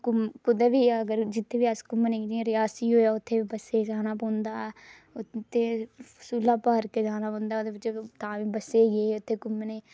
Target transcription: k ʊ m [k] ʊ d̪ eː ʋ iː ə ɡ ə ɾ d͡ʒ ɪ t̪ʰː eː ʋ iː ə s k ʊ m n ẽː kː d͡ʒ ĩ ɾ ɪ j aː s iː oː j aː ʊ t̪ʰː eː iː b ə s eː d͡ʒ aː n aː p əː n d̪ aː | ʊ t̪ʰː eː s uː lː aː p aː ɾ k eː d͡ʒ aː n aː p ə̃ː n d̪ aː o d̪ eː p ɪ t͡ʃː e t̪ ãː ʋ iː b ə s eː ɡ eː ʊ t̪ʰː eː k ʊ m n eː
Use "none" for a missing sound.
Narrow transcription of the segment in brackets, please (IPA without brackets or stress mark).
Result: k